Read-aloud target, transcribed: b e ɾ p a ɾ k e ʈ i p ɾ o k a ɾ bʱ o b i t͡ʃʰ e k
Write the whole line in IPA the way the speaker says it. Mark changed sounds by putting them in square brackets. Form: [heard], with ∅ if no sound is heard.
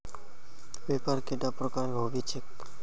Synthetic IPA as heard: b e [∅] p a ɾ k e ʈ [a] p ɾ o k a ɾ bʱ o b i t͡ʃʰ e k